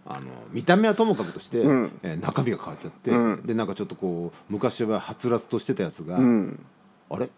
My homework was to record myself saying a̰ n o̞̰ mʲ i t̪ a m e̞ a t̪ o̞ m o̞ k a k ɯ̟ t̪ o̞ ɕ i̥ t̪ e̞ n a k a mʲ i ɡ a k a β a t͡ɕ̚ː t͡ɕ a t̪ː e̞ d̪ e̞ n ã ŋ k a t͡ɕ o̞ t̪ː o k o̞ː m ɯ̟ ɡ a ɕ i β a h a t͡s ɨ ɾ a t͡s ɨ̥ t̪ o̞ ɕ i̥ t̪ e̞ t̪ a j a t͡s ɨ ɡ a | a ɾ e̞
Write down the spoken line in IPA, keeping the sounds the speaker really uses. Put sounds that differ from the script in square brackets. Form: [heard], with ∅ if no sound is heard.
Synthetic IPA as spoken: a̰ n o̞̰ mʲ i t̪ a m e̞ a t̪ o̞ m o̞ k a k ɯ̟ t̪ o̞ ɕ i̥ t̪ e̞ n a k a mʲ i ɡ a k a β a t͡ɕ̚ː t͡ɕ a t̪ː e̞ d̪ e̞ n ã ŋ k a t͡ɕ o̞ t̪ː o k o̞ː m ɯ̟ [k] a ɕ i β a h a t͡s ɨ ɾ a t͡s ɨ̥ t̪ o̞ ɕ i̥ t̪ e̞ t̪ a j a t͡s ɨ ɡ a | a ɾ e̞